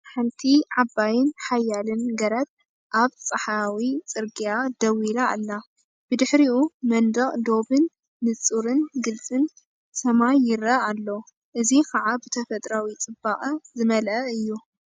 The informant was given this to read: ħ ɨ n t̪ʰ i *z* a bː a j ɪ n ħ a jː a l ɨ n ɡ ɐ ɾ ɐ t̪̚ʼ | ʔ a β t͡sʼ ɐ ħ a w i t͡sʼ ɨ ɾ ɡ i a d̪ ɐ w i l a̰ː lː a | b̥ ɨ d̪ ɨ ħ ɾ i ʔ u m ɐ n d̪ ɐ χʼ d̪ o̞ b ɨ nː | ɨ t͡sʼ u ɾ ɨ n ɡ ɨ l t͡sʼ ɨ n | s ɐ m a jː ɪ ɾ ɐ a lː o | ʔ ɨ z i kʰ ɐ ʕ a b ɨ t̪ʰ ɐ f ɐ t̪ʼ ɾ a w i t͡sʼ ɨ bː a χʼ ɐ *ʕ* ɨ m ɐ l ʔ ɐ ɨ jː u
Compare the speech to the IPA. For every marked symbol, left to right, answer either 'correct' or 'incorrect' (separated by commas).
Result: incorrect, incorrect